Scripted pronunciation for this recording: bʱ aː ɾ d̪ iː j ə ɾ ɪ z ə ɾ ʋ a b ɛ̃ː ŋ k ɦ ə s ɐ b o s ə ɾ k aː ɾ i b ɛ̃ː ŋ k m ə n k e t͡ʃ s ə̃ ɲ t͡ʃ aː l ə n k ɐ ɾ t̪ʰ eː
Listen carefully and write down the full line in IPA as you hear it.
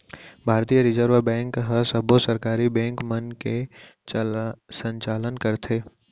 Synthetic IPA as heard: bʱ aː ɾ t̪ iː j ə ɾ ɪ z ə ɾ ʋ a b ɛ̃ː ŋ k ɦ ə s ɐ b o s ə ɾ k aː ɾ i b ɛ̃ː ŋ k m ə n k e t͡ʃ s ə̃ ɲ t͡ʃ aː l ə n k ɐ ɾ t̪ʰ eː